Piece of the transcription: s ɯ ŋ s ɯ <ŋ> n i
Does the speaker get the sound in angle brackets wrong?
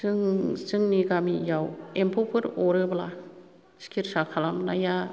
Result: no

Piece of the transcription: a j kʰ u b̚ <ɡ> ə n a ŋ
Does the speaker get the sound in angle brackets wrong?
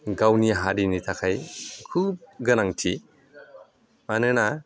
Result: no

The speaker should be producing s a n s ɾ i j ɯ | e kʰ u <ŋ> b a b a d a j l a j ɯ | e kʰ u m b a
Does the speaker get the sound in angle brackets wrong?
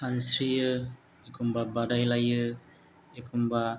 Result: yes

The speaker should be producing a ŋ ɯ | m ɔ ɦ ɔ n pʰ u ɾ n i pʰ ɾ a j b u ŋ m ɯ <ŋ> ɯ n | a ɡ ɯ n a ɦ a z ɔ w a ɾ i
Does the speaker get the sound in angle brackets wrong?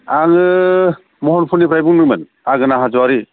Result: yes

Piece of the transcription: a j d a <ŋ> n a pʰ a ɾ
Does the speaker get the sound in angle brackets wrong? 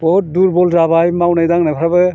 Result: no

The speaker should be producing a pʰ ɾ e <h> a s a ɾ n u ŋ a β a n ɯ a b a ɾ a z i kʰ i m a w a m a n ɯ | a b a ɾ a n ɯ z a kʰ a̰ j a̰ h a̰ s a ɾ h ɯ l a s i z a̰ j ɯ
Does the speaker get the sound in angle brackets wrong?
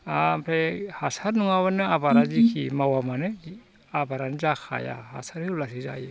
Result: no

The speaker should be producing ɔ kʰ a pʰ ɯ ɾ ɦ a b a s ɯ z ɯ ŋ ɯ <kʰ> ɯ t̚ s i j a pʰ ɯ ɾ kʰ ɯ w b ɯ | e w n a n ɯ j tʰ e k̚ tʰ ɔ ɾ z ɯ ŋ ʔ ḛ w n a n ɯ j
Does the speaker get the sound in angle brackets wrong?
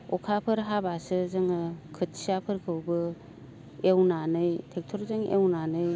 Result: no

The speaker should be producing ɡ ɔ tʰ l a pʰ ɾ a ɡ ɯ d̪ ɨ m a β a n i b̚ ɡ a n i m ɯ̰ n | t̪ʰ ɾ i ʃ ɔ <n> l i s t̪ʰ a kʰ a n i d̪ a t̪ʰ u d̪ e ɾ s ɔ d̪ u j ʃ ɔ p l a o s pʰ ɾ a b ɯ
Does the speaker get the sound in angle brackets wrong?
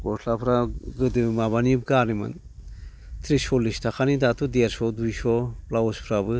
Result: yes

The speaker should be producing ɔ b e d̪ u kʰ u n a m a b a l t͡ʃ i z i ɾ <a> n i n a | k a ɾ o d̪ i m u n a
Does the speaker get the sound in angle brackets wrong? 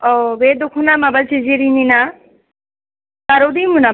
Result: yes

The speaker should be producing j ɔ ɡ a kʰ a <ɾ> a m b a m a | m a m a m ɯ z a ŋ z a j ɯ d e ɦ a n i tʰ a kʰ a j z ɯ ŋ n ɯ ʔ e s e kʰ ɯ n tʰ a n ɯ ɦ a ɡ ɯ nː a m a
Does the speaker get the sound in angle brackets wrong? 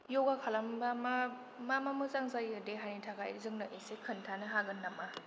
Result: yes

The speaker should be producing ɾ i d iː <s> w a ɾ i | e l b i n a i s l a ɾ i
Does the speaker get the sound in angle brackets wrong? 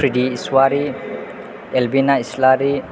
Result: no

